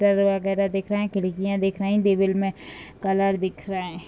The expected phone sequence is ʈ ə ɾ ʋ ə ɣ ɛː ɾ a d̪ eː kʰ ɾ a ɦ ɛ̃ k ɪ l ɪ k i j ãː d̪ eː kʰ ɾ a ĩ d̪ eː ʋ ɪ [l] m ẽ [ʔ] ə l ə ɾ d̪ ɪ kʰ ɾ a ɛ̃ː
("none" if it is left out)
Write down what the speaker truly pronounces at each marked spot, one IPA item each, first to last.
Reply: l, k

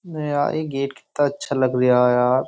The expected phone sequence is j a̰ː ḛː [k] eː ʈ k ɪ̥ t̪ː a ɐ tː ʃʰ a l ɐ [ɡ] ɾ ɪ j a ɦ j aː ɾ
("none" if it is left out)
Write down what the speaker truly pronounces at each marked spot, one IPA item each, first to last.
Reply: ɡ, ɡ

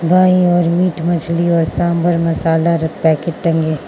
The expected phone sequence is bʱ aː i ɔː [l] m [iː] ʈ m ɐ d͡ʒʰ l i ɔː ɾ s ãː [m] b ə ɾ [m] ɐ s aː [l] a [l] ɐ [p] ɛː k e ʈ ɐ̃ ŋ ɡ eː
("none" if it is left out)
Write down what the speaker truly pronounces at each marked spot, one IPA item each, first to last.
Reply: ɾ, iː, m, m, l, ɾ, p

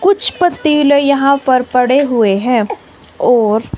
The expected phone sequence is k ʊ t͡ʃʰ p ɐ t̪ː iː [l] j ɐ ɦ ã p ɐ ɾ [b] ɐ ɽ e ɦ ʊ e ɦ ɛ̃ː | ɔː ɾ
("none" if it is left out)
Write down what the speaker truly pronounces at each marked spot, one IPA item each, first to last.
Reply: l, p

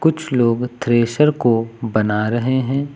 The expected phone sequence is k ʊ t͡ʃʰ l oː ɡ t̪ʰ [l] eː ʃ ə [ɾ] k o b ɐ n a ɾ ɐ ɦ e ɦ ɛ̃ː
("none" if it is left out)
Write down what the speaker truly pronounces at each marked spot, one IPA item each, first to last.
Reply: ɾ, ɾ

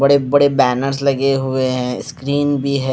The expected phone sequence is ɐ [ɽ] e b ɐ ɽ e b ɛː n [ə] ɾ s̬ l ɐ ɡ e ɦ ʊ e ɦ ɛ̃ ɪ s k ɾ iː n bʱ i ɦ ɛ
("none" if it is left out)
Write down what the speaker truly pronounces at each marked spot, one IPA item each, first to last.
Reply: ɽ, ə

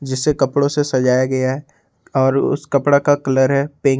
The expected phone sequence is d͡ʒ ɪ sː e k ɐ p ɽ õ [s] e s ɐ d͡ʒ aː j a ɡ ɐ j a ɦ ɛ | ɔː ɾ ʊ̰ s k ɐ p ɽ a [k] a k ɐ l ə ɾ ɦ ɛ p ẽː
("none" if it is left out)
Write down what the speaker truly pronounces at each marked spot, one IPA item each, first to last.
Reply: s, k

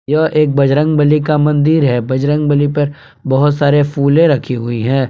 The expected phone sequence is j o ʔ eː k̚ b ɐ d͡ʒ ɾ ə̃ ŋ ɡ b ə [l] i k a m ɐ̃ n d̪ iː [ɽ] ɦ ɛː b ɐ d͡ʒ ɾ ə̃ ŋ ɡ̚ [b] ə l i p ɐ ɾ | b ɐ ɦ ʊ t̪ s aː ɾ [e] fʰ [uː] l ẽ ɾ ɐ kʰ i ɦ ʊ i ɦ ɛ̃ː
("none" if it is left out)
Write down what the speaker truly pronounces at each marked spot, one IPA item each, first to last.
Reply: l, ɾ, b, e, uː

